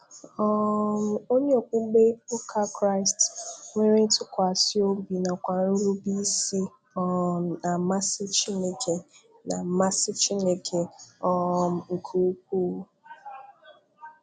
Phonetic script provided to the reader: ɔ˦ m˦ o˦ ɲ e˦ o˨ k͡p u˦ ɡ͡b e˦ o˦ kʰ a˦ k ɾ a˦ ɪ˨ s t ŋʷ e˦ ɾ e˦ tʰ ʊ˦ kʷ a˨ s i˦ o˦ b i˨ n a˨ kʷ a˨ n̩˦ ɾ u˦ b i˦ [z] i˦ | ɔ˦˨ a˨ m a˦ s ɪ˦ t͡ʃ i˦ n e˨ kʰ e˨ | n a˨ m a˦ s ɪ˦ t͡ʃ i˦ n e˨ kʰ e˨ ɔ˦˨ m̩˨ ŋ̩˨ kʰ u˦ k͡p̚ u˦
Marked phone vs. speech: incorrect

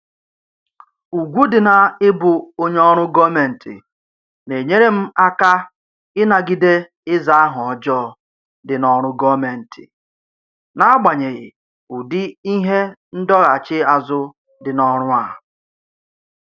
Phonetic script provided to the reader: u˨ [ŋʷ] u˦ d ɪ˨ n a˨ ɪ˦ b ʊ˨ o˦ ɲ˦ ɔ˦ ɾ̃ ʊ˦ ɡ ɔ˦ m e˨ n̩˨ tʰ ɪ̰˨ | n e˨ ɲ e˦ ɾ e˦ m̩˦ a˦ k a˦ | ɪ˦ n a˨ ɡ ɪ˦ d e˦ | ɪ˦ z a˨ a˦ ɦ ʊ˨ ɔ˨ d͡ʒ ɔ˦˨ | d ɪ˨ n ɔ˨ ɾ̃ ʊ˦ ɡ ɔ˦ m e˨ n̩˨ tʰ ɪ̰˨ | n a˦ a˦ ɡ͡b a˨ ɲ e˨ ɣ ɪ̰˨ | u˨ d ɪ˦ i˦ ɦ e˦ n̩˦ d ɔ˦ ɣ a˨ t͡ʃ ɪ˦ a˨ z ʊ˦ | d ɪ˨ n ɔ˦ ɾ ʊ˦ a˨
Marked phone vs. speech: incorrect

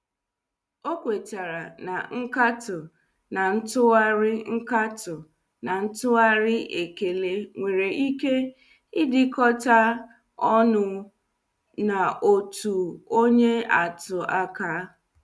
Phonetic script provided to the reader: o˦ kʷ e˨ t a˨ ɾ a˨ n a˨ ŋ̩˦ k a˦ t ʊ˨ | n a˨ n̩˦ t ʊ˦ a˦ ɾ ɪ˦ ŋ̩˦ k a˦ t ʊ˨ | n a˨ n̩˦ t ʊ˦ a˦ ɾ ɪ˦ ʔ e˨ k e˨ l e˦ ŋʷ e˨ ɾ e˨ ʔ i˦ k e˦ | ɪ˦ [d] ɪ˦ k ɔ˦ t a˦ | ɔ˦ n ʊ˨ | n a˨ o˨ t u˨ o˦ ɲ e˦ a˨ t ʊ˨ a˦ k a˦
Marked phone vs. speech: correct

